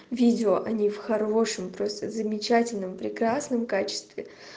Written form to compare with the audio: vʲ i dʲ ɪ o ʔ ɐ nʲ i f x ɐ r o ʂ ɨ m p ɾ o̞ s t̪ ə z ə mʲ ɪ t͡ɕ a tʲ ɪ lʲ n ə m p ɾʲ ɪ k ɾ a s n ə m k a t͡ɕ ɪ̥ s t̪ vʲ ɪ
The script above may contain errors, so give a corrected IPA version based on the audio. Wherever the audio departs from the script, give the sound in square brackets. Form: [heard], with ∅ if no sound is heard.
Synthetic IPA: vʲ i dʲ ɪ o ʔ ɐ nʲ i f x ɐ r o ʂ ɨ m p ɾ o̞ s t̪ ə z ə mʲ ɪ t͡ɕ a tʲ ɪ lʲ n ə m p ɾʲ ɪ k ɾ a s n ə m k a t͡ɕ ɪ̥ s t̪ vʲ ɪ